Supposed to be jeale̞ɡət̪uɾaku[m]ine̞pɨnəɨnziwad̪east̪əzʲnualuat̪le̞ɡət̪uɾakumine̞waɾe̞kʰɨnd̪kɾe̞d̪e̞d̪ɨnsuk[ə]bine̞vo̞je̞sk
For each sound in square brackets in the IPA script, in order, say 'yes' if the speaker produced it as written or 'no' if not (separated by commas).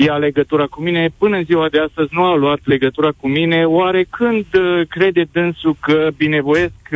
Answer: yes, yes